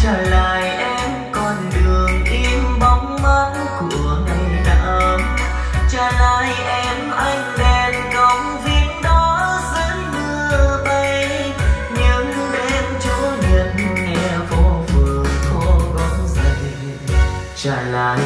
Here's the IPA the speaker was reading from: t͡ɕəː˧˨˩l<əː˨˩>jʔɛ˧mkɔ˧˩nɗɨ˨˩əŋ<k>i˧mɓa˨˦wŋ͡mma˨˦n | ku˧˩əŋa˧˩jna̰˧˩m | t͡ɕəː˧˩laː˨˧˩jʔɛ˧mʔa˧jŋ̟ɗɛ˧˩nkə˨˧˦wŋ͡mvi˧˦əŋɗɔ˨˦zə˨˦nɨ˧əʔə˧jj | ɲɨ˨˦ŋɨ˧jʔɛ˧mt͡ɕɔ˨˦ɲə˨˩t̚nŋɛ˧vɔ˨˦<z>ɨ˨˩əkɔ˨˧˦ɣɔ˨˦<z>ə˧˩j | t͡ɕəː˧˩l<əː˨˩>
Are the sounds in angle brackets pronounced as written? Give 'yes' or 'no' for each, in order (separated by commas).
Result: no, no, no, yes, no